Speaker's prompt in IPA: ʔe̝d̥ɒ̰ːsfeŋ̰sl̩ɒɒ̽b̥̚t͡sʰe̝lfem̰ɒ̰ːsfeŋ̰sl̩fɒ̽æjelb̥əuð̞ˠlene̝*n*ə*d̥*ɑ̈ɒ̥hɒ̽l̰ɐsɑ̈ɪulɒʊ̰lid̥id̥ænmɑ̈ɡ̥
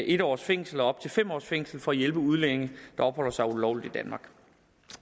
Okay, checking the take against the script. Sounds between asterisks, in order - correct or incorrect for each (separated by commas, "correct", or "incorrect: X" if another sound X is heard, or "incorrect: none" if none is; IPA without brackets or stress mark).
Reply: incorrect: ŋ, correct